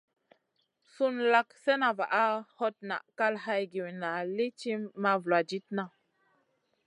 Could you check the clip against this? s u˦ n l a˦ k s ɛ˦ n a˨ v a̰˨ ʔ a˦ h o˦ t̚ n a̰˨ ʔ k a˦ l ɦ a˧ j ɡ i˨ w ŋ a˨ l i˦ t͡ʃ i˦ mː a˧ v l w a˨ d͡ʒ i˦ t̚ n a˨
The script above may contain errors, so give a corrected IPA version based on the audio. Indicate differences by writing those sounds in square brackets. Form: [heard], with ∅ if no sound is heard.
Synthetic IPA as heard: s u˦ n l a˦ k s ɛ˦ n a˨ v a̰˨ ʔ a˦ h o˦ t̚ n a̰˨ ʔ k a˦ l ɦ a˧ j ɡ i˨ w [n] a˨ l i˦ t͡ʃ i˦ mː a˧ v l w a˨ d͡ʒ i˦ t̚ n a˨